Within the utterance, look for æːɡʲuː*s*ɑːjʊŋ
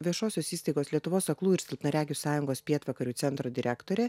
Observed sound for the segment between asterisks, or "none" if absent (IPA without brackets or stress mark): s